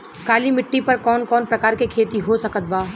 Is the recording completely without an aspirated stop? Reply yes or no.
no